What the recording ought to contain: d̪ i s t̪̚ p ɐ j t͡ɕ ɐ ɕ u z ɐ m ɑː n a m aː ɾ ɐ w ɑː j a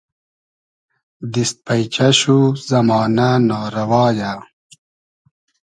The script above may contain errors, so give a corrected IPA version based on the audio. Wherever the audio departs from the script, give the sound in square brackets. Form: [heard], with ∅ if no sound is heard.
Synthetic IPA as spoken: d̪ i s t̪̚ p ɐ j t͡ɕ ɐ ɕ u z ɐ m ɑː n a [n] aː ɾ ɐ w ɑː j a